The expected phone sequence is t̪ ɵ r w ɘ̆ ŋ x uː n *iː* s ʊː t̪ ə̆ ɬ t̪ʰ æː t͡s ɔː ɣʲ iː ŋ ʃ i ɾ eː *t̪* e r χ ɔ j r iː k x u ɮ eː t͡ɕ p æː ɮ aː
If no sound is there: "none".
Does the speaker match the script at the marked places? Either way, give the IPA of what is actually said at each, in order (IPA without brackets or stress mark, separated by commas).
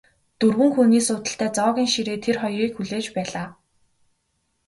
iː, t̪ʰ